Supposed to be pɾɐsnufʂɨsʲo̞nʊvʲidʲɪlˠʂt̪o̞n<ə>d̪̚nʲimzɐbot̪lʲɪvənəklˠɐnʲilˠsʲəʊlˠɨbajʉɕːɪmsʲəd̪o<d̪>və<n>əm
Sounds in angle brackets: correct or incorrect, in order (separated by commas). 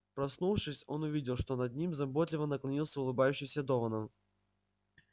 incorrect, incorrect, correct